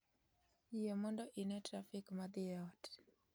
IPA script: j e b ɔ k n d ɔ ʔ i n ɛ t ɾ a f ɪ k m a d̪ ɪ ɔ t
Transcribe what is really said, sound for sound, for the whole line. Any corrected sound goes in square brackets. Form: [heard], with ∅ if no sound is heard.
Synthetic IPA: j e [m] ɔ [∅] n d ɔ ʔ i n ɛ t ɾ a f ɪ k m a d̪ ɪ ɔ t